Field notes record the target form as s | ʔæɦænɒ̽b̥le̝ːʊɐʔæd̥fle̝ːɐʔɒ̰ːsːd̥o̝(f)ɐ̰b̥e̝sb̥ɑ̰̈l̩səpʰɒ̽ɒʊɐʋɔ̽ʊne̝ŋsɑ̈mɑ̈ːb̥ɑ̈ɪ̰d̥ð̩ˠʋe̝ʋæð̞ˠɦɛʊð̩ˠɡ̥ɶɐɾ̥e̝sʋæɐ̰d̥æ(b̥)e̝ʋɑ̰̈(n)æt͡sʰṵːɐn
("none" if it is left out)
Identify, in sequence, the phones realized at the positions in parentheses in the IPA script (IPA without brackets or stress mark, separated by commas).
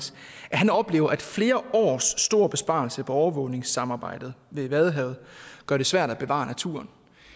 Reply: none, b̥, n